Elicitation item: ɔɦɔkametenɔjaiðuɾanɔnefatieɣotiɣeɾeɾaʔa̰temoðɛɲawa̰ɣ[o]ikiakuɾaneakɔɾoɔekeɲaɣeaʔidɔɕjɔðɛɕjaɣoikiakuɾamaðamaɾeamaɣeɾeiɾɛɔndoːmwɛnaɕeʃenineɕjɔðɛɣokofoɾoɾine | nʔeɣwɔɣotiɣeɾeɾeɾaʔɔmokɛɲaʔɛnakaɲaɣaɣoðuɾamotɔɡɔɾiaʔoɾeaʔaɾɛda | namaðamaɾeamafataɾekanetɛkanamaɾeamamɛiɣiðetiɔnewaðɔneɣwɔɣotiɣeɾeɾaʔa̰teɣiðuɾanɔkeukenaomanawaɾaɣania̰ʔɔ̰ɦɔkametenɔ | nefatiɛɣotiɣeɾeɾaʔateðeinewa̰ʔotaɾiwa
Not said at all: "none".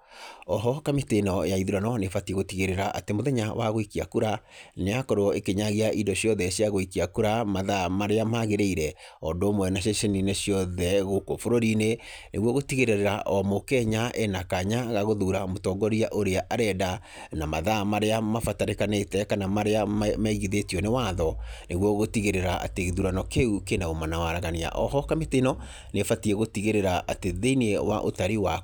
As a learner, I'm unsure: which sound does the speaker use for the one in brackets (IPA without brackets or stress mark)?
o